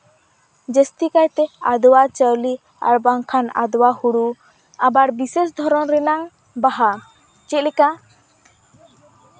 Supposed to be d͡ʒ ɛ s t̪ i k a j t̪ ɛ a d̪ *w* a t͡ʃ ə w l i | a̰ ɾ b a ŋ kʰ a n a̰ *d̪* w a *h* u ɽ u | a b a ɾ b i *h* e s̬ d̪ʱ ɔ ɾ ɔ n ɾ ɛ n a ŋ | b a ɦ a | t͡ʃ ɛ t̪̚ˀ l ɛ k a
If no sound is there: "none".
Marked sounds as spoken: w, d̪, h, s

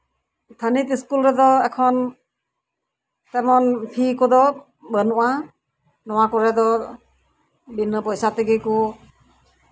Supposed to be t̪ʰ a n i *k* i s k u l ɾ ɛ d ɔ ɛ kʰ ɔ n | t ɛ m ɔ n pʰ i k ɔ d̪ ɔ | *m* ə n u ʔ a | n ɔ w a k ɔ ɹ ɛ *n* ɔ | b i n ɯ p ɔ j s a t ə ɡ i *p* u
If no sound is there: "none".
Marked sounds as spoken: t, b, d, k

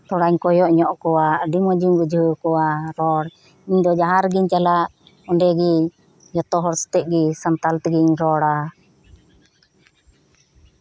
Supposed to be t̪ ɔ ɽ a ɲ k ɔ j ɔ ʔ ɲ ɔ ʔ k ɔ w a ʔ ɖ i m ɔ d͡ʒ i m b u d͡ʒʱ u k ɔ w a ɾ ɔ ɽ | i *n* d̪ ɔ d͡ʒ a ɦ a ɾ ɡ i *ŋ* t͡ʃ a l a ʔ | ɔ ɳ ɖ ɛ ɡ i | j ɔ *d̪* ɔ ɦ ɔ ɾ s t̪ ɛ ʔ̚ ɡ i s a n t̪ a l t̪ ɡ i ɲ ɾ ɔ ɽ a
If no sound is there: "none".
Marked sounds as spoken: ɲ, ɲ, t̪

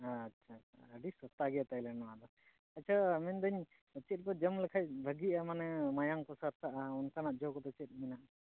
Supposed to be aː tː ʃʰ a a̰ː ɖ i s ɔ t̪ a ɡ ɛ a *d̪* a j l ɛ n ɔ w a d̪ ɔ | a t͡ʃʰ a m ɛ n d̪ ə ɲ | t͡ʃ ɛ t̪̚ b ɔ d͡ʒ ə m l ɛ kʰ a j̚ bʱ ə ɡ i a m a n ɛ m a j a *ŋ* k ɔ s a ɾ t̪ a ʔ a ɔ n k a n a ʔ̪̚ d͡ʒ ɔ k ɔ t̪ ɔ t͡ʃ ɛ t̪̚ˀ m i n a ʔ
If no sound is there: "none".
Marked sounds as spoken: t̪, ŋ

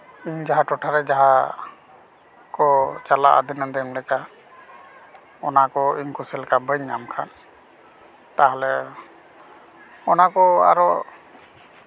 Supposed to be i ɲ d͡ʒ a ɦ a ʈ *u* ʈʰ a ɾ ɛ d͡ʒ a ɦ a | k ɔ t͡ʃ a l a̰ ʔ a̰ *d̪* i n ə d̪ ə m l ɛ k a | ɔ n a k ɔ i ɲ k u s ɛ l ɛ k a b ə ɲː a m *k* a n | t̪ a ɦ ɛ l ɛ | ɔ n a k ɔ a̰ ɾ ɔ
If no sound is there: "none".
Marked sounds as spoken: ɔ, d̪, kʰ

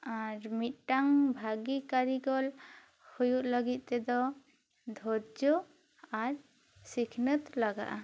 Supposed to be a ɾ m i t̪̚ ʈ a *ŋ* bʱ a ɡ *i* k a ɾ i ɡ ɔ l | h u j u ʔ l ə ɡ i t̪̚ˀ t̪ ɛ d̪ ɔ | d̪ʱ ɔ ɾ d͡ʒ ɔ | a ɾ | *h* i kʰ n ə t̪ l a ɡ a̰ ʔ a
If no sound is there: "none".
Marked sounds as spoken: ŋ, i, s

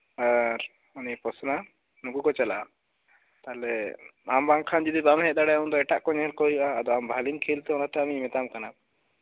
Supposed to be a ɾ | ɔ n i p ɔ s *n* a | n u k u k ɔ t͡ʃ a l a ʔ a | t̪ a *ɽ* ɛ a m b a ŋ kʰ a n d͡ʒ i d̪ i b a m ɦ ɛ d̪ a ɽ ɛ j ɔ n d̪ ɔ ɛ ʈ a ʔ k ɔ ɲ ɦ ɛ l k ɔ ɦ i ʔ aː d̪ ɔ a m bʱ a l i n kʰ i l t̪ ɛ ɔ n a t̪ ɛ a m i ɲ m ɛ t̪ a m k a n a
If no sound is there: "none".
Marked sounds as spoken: n, l

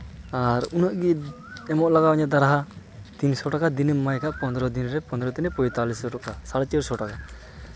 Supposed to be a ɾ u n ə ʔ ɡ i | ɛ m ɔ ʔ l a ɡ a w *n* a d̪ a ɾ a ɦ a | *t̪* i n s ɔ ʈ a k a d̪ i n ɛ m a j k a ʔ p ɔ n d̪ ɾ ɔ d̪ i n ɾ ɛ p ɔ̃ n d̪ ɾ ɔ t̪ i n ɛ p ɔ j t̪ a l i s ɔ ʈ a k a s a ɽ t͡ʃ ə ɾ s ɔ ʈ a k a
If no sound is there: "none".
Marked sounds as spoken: ɲ, t̪

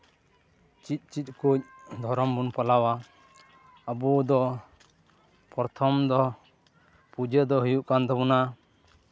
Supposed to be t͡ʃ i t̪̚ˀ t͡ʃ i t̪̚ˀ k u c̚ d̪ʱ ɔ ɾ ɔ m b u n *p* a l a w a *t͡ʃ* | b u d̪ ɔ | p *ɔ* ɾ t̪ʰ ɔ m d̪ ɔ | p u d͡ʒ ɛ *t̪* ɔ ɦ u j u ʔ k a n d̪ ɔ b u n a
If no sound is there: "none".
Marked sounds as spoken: p, none, ɔ, d̪

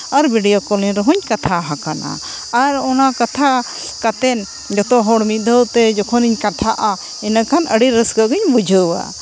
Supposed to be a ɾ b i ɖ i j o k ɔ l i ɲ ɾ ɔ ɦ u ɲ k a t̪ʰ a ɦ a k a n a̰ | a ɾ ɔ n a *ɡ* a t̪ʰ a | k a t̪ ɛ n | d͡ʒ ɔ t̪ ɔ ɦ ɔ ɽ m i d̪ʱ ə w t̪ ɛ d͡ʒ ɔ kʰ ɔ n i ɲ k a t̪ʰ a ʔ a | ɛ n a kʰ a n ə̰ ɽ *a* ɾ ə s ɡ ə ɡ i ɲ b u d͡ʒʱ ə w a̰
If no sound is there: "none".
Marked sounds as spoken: k, i

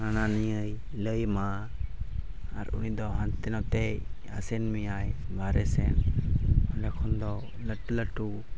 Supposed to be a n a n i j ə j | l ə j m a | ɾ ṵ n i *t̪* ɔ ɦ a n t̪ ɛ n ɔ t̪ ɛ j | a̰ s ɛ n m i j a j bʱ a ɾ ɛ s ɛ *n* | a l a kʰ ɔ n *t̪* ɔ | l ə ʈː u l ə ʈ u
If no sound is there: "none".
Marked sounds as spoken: d̪, n, d̪

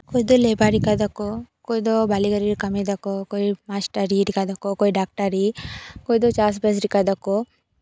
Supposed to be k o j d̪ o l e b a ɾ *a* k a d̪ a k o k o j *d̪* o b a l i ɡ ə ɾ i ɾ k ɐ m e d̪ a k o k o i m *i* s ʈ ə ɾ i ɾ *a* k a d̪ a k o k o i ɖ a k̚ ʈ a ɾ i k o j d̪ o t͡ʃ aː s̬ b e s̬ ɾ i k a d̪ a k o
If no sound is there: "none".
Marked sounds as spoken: i, d̪, a, i

